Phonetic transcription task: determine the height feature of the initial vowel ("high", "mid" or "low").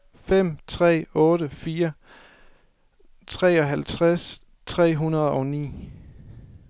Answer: mid